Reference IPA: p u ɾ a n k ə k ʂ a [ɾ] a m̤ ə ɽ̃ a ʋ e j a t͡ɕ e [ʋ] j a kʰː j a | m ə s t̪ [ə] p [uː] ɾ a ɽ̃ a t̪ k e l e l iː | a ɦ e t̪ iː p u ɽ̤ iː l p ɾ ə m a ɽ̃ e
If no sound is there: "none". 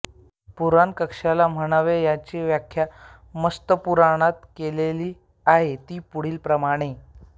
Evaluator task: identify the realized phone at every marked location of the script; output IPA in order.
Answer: l, ʋ, ə, u

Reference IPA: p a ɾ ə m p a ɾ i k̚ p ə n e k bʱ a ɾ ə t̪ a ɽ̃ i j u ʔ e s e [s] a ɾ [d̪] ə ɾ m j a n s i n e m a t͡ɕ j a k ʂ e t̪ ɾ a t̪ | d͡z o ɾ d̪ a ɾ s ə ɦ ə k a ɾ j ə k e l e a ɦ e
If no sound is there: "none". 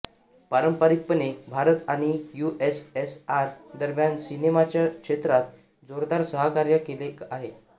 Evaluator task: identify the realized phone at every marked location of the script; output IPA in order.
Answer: s, d̪

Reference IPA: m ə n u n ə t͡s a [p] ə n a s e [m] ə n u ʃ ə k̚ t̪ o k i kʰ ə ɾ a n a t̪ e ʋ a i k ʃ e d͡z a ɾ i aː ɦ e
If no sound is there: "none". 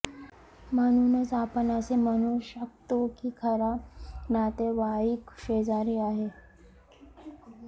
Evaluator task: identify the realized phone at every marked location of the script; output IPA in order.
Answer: p, m

